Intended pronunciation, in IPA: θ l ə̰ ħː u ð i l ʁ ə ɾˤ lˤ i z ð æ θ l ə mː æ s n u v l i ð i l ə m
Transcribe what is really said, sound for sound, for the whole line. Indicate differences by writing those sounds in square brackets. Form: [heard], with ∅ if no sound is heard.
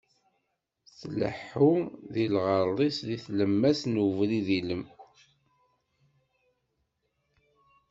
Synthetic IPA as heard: θ l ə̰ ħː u ð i l ʁ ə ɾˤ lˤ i [s] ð [i] θ l ə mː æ s n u v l i ð i l ə m